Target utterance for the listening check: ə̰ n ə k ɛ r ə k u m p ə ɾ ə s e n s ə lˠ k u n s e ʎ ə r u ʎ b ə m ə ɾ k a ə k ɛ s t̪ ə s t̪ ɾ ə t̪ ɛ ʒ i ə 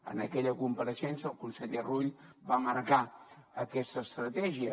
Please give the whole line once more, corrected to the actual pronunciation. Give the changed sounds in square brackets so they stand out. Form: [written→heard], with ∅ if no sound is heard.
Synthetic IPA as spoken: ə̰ n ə k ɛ [r→ʎ] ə k u m p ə ɾ ə s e n s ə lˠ k u n s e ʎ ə r u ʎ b [ə→a] m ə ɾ k a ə k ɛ s t̪ ə s t̪ ɾ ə t̪ ɛ ʒ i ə